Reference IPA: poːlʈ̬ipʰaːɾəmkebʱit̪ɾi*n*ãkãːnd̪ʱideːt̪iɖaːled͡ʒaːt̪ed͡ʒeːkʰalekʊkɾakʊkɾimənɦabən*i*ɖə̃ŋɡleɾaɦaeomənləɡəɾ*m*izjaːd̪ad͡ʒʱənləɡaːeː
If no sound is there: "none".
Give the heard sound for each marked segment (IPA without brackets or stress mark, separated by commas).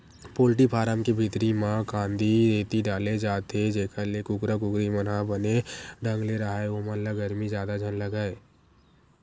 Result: m, e, m